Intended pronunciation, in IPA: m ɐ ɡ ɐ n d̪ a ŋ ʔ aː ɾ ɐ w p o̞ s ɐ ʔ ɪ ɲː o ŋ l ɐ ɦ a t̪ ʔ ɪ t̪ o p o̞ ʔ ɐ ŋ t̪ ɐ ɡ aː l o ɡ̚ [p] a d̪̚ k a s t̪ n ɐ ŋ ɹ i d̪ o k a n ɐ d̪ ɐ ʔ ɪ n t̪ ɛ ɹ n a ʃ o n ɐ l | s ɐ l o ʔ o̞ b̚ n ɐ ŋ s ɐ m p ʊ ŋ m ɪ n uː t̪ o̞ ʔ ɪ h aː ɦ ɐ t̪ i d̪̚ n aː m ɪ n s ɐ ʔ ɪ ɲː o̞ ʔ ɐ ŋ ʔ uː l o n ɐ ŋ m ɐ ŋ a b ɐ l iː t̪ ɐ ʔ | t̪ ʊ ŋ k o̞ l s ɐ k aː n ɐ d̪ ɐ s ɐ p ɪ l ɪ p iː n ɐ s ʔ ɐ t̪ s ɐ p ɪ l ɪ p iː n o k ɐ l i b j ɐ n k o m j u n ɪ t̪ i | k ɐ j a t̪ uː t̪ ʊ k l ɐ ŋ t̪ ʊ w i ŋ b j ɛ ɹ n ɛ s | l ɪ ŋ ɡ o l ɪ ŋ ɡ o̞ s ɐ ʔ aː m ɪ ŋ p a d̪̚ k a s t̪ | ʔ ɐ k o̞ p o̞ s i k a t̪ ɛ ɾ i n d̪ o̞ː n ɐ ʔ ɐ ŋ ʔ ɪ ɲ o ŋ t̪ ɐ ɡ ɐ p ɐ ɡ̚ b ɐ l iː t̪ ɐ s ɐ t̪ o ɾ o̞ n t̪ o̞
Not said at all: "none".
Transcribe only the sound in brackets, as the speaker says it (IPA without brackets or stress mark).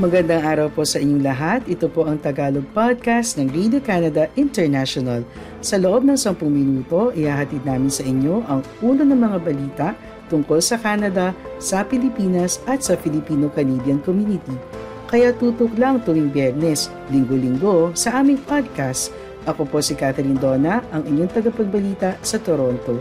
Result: p